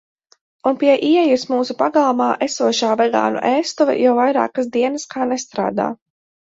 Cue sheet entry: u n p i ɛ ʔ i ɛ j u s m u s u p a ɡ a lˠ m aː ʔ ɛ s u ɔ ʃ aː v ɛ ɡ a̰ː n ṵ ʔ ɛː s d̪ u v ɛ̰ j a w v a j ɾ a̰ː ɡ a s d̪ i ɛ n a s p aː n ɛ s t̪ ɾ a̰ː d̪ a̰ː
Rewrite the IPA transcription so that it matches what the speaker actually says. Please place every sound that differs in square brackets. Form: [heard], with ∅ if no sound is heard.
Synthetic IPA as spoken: u n p i ɛ ʔ i ɛ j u s m [uː] s u p a ɡ a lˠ m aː ʔ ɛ s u ɔ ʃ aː v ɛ ɡ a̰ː n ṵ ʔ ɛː s [t̪] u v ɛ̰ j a w v a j ɾ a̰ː [k] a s d̪ i ɛ n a s [k] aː n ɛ s t̪ ɾ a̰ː d̪ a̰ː